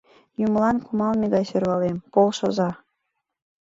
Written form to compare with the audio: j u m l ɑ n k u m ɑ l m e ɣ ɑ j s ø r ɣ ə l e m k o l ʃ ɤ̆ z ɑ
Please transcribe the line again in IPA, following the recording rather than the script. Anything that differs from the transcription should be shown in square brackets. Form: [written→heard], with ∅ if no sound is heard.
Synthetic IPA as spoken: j u m l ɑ n k u m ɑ l m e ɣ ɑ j s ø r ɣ [ə→ɑ] l e m [k→p] o l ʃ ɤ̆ z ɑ